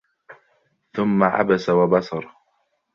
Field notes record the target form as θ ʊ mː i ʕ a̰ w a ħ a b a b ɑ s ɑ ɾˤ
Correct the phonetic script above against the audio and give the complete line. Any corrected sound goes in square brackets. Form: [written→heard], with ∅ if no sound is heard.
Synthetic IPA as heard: θ ʊ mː [i→a] ʕ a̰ [w→b] a [ħ→s] a [b→w] a b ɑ s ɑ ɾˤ